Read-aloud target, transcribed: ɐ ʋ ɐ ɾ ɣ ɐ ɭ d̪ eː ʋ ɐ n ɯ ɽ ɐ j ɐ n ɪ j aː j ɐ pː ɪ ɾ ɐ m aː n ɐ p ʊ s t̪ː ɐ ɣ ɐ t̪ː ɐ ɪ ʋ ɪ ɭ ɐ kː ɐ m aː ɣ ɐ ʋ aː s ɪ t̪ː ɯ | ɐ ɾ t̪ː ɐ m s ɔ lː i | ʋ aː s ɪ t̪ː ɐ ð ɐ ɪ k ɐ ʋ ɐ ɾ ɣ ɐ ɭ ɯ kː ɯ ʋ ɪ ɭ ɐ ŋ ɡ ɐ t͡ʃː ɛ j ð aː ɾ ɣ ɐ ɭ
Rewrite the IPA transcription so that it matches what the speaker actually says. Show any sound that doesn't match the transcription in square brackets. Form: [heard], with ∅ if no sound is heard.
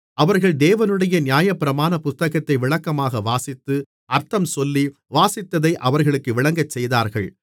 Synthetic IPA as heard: ɐ ʋ ɐ ɾ ɣ ɐ ɭ d̪ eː ʋ ɐ n ɯ ɽ ɐ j ɐ n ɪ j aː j ɐ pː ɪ ɾ ɐ m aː n ɐ p ʊ s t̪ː ɐ ɣ ɐ t̪ː ɐ ɪ ʋ ɪ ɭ ɐ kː ɐ m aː ɣ ɐ ʋ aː s ɪ t̪ː ɯ | ɐ ɾ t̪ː ɐ m s ɔ lː i | ʋ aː s ɪ t̪ː ɐ ð ɐ ɪ [ʔ] ɐ ʋ ɐ ɾ ɣ ɐ ɭ ɯ kː ɯ ʋ ɪ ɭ ɐ ŋ ɡ ɐ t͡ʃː ɛ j ð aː ɾ ɣ ɐ ɭ